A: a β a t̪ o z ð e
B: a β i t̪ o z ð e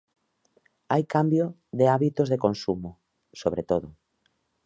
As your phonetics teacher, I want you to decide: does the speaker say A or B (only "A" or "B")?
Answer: B